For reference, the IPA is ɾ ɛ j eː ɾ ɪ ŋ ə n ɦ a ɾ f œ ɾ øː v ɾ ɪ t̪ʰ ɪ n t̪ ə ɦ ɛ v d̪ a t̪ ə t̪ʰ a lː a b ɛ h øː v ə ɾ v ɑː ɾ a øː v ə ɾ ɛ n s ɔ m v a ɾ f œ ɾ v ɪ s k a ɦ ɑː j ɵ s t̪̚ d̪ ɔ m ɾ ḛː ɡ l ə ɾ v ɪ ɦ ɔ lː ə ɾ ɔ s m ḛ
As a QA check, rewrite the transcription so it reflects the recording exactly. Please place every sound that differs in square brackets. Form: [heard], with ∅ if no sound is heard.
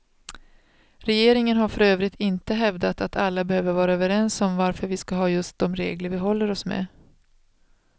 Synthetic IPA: ɾ ɛ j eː ɾ ɪ ŋ ə n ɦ a ɾ f œ ɾ øː v ɾ ɪ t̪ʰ ɪ n t̪ ə ɦ ɛ v d̪ a t̪ [a] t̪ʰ a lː a b ɛ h øː v ə ɾ v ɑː ɾ a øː v ə ɾ ɛ n s ɔ m v a ɾ f œ ɾ v ɪ s k a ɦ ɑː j ɵ s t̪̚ d̪ ɔ m ɾ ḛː ɡ l ə ɾ v ɪ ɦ ɔ lː ə ɾ ɔ s m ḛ